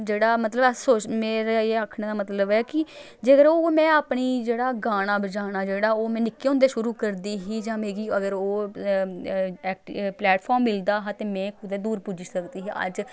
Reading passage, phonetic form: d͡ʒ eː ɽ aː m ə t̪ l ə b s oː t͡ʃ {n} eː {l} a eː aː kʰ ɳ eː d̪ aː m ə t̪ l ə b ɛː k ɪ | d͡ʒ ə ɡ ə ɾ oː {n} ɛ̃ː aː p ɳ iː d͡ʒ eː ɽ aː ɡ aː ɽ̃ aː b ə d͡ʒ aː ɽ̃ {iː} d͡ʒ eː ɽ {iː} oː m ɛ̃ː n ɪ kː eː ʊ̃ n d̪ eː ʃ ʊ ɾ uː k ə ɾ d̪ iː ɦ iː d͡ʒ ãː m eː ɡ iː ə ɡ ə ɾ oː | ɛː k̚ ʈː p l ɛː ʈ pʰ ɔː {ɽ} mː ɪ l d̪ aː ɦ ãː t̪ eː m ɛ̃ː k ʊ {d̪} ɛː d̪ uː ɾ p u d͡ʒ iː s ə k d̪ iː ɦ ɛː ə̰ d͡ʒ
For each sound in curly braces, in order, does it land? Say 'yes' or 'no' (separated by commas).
no, no, no, no, no, no, yes